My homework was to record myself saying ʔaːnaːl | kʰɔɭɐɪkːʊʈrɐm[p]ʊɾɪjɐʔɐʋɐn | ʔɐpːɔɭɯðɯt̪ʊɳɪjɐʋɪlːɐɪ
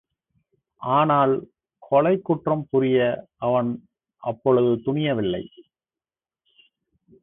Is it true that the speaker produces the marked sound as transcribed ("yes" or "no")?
yes